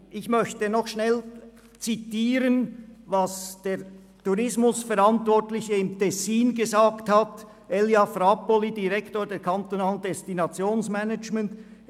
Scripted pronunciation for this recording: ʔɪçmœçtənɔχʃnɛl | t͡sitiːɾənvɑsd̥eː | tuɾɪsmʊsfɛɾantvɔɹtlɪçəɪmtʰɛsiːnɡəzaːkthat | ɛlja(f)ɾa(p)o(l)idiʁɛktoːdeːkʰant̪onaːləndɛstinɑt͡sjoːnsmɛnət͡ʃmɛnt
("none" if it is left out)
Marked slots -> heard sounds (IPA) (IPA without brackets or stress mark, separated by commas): f, p, l